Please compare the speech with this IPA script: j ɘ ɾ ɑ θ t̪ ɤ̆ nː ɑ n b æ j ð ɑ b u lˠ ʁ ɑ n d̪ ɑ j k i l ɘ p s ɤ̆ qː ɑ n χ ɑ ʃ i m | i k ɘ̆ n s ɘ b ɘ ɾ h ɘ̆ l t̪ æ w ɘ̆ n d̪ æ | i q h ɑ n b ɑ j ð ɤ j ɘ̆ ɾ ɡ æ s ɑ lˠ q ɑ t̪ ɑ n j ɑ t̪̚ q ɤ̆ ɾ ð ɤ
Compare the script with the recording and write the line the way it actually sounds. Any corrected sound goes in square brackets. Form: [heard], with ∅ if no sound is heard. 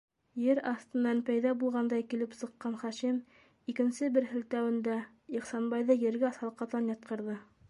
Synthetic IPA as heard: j ɘ ɾ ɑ θ t̪ ɤ̆ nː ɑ n [p] æ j ð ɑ b u lˠ ʁ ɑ n d̪ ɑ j k i l ɘ p s ɤ̆ qː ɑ n χ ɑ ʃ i m | i k ɘ̆ n s ɘ b ɘ ɾ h ɘ̆ l t̪ æ w ɘ̆ n d̪ æ | i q [s] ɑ n b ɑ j ð ɤ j ɘ̆ ɾ ɡ æ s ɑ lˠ q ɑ t̪ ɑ n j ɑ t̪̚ q ɤ̆ ɾ ð ɤ